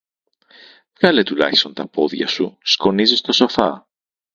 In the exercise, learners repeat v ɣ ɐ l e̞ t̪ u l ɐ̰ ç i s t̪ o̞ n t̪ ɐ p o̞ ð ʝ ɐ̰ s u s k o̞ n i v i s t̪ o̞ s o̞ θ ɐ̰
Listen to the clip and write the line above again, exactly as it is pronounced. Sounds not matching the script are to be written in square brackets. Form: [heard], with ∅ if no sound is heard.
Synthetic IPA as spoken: v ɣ ɐ l e̞ t̪ u l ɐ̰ ç i s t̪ o̞ n t̪ ɐ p o̞ ð ʝ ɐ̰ s u s k o̞ n i [z] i s t̪ o̞ s o̞ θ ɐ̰